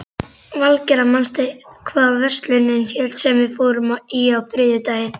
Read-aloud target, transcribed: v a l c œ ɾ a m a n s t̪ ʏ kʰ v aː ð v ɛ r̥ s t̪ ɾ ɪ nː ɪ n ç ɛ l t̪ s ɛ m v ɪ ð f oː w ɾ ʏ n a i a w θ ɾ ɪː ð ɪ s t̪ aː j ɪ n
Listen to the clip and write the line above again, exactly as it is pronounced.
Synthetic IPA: v a l c ɛ ɾ a m a n s t̪ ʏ kʰ v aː ð v ɛ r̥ s t̪ l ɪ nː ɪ n ç ɛ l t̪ s ɛ m v ɪ ð f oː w ɾ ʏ m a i a w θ ɾ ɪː ð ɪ t̪ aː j ɪ n